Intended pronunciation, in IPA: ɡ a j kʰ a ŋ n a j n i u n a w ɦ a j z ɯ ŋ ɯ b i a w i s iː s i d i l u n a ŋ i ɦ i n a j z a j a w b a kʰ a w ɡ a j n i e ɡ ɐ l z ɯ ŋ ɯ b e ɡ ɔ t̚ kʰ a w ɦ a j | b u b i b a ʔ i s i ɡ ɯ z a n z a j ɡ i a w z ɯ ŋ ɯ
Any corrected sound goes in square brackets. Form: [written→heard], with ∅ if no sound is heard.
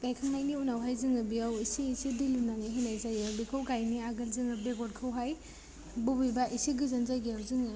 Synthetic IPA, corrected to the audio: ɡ a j kʰ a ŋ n a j n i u n a w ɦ a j z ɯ ŋ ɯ b i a w i s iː s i d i l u n a ŋ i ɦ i n a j z a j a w b [a→i] kʰ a w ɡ a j n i [e→a] ɡ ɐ l z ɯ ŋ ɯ b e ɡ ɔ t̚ kʰ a w ɦ a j | b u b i b a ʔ i s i ɡ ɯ z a n z a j ɡ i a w z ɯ ŋ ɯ